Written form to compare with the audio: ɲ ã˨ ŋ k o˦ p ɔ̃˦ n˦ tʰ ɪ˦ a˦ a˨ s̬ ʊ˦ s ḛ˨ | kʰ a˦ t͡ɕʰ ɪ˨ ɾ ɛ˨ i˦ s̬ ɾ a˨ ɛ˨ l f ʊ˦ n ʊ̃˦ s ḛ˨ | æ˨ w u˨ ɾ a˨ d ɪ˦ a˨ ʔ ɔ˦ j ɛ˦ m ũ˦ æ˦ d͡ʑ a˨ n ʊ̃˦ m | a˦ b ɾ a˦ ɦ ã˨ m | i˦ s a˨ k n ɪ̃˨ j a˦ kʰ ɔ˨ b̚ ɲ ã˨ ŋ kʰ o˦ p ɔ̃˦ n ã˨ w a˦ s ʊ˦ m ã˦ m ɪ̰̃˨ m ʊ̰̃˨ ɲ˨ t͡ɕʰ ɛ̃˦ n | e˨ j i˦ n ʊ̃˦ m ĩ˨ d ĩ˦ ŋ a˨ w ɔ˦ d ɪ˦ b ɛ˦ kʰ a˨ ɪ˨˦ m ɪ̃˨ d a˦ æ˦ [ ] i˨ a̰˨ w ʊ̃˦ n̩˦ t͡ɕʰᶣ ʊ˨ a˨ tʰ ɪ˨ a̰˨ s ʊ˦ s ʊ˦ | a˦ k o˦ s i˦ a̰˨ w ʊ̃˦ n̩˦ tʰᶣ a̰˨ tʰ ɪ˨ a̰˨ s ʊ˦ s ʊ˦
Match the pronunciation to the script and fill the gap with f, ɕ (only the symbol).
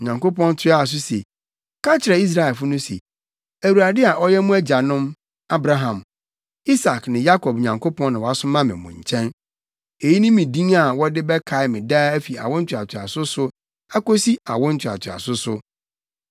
f